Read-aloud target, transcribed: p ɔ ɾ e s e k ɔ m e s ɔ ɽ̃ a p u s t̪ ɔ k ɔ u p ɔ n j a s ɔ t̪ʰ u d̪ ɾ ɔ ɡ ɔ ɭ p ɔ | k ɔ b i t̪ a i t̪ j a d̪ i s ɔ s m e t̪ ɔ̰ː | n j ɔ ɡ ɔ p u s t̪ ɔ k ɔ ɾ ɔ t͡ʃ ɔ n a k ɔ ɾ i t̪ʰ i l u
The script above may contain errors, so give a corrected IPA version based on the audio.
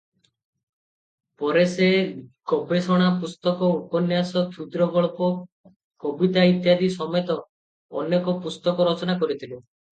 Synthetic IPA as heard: p ɔ ɾ e s e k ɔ b e s ɔ ɽ̃ a p u s t̪ ɔ k ɔ u p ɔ n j a s ɔ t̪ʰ u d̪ ɾ ɔ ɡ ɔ ɭ p ɔ | k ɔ b i t̪ a i t̪ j a d̪ i s ɔ m e t̪ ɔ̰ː | n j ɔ k ɔ p u s t̪ ɔ k ɔ ɾ ɔ t͡ʃ ɔ n a k ɔ ɾ i t̪ʰ i l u